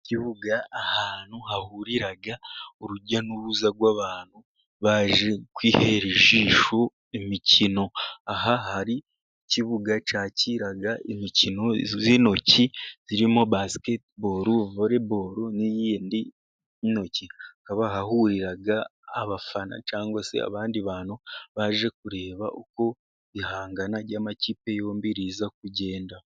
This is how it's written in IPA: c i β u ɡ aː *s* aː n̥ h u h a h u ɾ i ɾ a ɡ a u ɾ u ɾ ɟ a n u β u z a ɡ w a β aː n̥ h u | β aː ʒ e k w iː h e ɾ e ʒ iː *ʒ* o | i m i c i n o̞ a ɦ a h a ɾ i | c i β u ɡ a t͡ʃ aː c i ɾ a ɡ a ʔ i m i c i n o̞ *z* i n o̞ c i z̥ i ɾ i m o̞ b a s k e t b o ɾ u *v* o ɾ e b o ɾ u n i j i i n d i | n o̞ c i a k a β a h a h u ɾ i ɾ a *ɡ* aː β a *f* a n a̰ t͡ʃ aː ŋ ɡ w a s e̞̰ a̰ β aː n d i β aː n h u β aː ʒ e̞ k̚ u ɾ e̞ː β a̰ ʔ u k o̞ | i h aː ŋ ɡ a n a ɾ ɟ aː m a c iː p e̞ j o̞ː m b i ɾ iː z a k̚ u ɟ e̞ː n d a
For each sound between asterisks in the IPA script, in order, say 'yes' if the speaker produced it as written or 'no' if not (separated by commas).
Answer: no, no, yes, yes, yes, yes